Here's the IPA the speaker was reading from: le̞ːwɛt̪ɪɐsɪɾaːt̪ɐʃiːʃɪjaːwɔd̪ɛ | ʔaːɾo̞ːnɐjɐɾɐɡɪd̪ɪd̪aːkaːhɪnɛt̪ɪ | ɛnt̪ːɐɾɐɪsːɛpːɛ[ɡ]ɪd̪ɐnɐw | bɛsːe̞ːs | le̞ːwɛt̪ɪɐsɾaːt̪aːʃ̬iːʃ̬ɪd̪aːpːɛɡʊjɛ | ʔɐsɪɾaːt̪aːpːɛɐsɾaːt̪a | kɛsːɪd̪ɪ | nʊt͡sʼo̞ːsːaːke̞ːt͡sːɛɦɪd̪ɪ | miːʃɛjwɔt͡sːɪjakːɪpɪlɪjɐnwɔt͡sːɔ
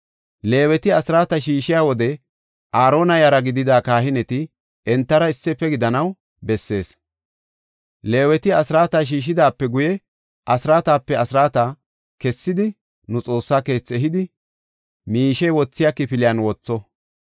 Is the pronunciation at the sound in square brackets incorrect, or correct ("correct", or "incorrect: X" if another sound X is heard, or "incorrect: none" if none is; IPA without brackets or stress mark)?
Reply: correct